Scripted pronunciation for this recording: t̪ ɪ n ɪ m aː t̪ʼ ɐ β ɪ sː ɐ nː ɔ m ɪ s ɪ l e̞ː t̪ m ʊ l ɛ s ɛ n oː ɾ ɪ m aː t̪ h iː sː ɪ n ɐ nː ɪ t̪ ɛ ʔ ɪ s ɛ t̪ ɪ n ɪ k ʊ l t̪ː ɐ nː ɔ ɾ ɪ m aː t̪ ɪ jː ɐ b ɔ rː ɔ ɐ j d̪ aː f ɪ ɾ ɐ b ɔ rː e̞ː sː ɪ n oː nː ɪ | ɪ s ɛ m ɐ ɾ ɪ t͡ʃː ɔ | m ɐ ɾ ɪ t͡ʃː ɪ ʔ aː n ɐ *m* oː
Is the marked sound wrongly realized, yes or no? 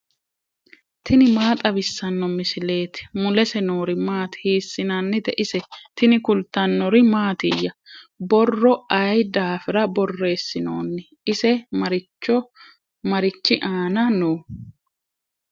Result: yes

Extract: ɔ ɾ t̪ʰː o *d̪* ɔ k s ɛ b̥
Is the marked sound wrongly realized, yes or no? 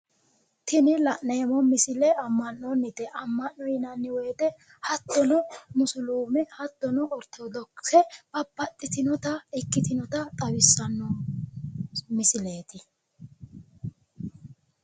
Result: no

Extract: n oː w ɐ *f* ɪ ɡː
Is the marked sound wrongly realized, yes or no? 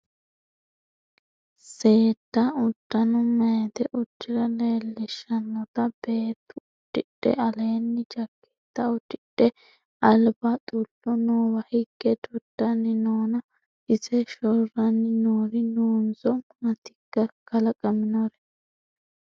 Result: yes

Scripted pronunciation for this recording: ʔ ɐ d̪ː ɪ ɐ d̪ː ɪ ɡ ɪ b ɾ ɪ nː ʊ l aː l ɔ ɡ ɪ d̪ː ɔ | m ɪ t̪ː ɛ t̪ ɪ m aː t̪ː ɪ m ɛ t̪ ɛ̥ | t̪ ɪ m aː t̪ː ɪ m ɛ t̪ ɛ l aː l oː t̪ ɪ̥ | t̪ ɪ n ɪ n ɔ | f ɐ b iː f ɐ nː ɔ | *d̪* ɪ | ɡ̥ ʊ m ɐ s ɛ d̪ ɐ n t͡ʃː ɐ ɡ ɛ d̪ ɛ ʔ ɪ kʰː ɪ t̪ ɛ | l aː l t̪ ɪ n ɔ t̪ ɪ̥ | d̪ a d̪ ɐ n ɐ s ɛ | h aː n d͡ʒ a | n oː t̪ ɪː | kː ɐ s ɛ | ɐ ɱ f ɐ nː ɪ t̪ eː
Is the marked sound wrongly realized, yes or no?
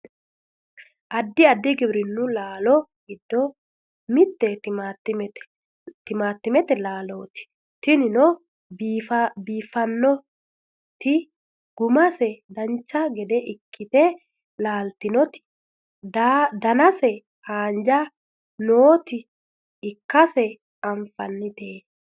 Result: yes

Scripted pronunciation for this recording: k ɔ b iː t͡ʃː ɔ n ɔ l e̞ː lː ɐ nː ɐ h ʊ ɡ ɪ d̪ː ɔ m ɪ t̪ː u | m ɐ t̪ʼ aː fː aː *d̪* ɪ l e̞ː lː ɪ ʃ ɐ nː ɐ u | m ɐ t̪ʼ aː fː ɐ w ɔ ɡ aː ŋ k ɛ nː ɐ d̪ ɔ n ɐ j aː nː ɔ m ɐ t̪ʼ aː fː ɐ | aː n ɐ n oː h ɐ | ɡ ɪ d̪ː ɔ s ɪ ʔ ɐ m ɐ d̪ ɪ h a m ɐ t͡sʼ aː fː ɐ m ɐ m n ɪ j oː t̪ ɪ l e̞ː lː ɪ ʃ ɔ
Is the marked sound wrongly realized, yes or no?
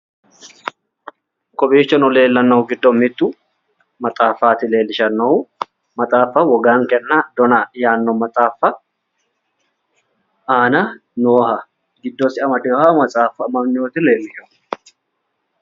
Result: yes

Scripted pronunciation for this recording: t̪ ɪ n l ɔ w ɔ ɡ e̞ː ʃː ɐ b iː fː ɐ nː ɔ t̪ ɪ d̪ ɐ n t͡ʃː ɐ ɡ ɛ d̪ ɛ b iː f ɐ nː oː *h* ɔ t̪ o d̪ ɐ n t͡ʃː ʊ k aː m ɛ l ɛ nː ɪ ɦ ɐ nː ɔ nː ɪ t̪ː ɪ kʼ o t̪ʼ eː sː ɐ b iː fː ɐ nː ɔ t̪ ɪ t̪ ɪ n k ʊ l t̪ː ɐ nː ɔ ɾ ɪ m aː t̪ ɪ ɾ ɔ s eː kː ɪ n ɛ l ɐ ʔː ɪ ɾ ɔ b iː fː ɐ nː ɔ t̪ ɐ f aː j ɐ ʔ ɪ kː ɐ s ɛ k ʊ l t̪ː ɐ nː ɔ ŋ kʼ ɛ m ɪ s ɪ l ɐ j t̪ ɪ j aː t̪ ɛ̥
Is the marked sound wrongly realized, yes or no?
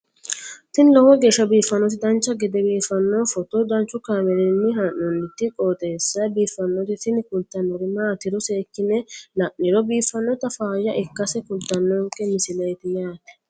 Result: yes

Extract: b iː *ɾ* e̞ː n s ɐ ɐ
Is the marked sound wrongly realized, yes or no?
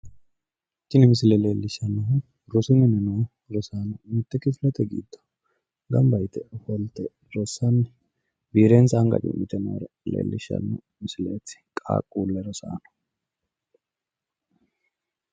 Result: no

